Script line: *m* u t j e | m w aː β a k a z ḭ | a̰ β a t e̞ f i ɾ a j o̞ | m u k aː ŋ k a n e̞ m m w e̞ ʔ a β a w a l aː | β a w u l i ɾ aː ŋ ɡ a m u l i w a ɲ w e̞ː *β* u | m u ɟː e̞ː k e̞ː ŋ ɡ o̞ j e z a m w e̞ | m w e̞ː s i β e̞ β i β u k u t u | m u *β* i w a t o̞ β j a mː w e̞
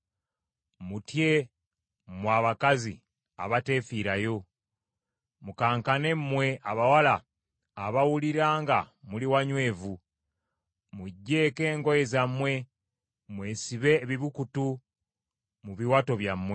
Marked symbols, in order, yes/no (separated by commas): yes, no, yes